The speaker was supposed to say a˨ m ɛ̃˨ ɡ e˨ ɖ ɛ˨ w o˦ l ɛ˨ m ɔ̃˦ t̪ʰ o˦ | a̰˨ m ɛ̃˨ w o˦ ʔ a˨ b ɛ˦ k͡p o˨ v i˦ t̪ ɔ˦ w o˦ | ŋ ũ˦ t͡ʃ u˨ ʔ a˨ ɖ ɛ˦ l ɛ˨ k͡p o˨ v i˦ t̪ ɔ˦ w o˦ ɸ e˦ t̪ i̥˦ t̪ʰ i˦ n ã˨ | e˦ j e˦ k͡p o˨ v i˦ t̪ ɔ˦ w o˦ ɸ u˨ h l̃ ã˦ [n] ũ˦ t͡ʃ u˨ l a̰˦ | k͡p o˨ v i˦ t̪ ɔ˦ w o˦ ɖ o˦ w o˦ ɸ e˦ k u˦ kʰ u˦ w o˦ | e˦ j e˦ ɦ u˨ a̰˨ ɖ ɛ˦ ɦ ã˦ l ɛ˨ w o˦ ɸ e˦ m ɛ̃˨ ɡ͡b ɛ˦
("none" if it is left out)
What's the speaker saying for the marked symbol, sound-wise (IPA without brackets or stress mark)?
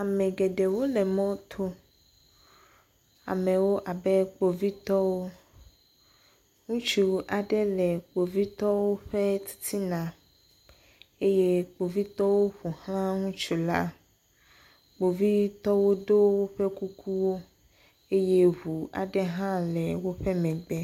ŋ